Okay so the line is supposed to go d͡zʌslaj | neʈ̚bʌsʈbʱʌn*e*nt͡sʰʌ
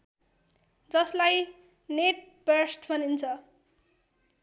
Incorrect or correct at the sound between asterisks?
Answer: incorrect: i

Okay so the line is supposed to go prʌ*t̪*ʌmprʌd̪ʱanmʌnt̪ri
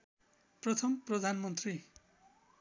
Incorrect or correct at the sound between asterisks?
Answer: incorrect: t̪ʰ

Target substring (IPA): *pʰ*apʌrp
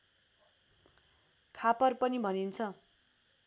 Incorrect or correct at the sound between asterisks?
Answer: incorrect: kʰ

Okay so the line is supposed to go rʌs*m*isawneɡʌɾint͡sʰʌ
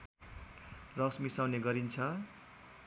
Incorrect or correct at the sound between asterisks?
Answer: correct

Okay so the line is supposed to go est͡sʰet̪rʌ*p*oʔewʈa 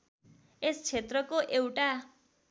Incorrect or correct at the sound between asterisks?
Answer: incorrect: k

